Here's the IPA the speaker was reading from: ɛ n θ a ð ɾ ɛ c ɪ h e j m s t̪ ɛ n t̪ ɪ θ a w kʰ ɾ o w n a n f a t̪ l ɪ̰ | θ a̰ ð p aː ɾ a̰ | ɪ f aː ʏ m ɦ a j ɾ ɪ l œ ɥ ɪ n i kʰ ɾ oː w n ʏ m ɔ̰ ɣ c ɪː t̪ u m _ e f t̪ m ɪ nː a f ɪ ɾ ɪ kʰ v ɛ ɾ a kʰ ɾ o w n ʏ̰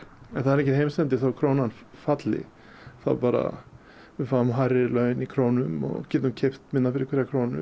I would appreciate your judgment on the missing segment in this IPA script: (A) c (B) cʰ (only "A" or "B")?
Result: B